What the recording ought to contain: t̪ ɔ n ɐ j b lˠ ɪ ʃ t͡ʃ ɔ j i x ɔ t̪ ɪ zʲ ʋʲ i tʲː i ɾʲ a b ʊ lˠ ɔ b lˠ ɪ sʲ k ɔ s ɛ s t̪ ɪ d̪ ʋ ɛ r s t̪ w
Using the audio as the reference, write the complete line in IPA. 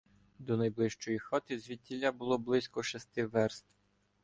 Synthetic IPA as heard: d̪ ɔ n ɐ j b lˠ ɪ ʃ t͡ʃ ɔ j i x ɔ t̪ ɪ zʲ ʋʲ i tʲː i lʲ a b ʊ lˠ ɔ b lˠ ɪ sʲ k ɔ ʃ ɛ s t̪ ɪ ʋ ɛ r s t̪ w